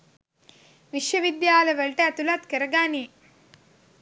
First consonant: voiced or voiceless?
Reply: voiced